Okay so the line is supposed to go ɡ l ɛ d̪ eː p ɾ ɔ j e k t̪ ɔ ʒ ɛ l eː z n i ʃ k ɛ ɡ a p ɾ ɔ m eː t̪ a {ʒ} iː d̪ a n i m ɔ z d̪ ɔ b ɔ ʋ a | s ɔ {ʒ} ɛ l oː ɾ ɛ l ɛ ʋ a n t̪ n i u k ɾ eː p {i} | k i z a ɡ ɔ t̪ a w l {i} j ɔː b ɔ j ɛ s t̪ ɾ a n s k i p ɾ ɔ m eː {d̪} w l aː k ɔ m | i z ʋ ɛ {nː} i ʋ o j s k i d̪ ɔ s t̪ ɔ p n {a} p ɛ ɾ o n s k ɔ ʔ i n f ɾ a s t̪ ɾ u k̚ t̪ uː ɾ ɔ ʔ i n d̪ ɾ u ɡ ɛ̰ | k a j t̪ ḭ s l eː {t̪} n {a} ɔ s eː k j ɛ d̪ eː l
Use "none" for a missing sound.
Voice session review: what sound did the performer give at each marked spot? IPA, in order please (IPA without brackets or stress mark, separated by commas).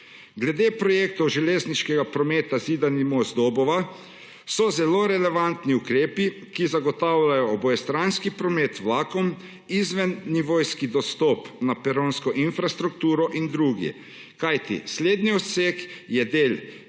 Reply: z, z, i, a, t̪, nː, a, d̪, i